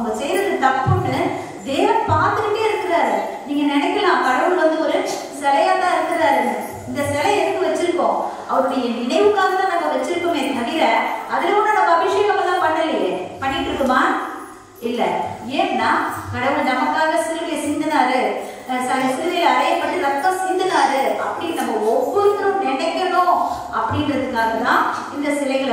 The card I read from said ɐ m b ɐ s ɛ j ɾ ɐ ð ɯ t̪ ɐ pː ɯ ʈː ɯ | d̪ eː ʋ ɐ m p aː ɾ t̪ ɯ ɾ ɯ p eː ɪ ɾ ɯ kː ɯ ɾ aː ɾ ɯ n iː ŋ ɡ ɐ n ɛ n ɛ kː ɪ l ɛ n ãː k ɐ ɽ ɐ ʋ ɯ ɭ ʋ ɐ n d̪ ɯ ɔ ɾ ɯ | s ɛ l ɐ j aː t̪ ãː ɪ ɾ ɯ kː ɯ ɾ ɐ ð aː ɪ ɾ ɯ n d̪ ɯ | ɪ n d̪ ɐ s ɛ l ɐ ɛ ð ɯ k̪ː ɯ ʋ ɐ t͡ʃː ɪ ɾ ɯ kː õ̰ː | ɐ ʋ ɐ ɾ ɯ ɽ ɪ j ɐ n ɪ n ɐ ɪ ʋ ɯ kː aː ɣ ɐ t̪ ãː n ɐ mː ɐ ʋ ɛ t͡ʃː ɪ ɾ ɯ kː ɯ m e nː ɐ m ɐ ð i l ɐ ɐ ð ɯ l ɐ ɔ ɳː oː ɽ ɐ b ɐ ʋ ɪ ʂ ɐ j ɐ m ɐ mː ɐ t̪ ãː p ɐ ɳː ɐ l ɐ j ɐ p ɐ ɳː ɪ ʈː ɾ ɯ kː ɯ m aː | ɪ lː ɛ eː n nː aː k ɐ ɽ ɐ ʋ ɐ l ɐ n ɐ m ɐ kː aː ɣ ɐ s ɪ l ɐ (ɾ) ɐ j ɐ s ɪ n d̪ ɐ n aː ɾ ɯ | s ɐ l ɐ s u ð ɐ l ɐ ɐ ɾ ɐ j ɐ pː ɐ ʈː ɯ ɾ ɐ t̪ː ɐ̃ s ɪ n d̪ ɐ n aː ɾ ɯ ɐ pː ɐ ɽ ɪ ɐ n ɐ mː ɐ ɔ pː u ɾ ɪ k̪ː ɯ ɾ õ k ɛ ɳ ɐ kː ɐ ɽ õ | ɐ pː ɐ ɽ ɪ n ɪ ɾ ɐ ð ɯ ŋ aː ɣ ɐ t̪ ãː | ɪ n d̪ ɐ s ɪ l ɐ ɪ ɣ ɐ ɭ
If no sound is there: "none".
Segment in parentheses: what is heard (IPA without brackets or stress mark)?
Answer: ɽ